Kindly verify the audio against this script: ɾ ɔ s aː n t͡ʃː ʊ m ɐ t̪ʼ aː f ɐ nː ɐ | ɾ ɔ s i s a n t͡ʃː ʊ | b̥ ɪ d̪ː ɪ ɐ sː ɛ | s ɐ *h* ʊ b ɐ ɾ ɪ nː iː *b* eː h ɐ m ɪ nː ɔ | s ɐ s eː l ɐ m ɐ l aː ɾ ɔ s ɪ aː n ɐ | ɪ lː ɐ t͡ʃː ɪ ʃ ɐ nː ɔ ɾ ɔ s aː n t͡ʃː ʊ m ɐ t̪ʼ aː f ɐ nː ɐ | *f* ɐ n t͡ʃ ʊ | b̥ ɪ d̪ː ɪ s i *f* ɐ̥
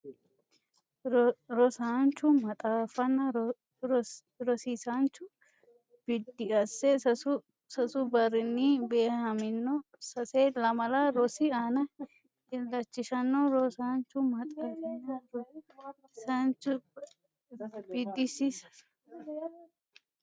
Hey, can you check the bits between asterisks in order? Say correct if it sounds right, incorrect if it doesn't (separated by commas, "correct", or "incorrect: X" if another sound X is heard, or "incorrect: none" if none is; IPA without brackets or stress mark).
incorrect: s, correct, incorrect: s, incorrect: s